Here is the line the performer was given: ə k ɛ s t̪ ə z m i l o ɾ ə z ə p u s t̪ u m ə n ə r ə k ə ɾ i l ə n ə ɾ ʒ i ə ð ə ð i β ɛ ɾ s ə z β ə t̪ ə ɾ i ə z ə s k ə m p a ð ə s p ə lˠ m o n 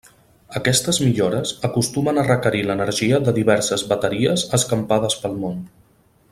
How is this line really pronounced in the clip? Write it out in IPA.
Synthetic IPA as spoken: ə k ɛ s t̪ ə z m i ʎ o ɾ ə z ə k u s t̪ u m ə n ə r ə k ə ɾ i l ə n ə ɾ ʒ i ə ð ə ð i β ɛ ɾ s ə z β ə t̪ ə ɾ i ə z ə s k ə m p a ð ə s p ə lˠ m o n